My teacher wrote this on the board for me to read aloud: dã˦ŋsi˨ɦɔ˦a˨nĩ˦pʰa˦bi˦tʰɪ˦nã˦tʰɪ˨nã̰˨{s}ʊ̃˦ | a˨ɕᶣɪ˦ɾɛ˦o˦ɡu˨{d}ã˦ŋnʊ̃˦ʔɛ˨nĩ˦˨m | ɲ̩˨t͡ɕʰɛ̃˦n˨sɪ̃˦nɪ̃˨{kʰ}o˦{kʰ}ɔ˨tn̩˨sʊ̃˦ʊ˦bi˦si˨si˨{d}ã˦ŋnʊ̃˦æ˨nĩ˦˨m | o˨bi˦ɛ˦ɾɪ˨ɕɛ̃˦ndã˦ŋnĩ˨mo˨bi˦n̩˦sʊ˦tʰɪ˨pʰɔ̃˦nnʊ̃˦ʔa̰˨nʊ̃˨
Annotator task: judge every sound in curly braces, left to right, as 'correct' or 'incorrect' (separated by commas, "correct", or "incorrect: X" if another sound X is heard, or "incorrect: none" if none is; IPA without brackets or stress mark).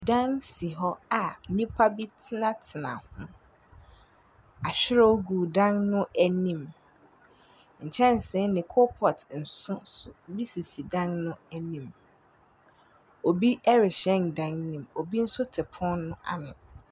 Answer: incorrect: h, correct, correct, incorrect: pʰ, correct